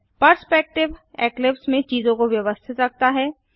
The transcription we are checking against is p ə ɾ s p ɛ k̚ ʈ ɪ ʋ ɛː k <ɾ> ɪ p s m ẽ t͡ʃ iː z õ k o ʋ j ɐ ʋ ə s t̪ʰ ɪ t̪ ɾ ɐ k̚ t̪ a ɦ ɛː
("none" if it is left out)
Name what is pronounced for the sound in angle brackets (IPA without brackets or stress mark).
l